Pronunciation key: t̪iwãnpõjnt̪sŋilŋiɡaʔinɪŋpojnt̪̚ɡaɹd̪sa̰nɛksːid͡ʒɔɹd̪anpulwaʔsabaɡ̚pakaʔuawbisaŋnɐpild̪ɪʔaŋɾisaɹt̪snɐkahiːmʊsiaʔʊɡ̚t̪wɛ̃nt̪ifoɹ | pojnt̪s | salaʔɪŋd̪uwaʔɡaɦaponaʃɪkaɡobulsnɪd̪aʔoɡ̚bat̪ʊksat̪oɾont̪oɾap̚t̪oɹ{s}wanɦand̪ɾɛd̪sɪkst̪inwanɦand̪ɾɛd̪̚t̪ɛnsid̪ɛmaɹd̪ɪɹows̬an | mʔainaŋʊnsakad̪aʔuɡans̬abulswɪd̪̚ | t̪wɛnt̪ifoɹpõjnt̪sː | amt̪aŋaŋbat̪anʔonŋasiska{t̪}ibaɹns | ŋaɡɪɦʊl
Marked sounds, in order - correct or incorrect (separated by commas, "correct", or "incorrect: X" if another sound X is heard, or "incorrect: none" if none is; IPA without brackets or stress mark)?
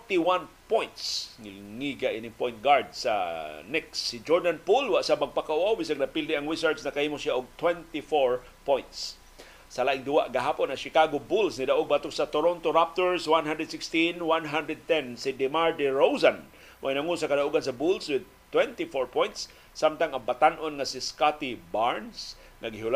correct, correct